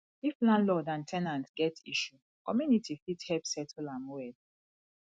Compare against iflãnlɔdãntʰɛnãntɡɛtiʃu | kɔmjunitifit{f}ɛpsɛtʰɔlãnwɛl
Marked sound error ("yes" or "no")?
yes